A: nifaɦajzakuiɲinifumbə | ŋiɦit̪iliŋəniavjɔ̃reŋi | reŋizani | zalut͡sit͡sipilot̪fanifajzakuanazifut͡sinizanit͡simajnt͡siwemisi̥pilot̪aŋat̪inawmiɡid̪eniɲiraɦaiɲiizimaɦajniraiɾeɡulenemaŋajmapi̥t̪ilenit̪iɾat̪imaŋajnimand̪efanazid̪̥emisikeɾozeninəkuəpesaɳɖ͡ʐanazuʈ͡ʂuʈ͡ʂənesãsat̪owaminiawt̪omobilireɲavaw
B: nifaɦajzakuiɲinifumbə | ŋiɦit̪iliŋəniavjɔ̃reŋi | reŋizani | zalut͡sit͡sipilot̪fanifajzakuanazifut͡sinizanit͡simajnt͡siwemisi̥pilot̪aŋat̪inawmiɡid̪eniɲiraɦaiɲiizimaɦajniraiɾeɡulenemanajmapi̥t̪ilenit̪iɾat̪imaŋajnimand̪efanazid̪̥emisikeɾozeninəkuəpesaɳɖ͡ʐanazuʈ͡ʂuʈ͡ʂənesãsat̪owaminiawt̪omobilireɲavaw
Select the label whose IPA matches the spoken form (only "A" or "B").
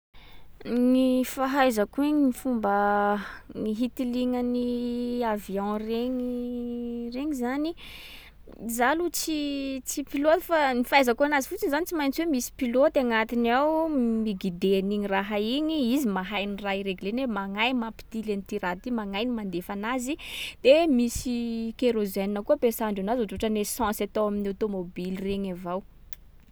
A